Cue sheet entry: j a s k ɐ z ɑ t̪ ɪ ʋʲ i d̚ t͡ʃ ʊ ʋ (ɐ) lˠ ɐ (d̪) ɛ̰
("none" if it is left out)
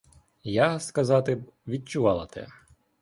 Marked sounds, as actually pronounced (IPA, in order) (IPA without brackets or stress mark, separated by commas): ɑ, t̪